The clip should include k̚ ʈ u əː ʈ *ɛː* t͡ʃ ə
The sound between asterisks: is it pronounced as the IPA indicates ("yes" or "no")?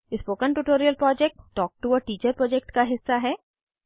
no